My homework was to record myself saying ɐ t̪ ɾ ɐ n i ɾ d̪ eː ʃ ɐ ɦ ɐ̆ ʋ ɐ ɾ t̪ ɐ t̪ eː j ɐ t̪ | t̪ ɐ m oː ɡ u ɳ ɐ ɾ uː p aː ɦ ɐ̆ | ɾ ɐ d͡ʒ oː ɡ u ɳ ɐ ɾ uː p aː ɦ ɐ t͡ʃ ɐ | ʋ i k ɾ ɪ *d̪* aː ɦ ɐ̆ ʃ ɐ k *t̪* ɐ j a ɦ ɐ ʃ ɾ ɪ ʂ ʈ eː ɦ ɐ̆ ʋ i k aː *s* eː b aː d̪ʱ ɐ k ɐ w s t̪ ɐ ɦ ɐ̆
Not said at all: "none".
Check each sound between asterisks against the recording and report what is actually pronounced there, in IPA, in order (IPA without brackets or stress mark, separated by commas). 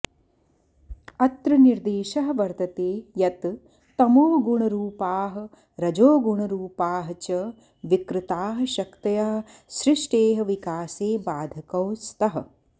t̪, t̪, s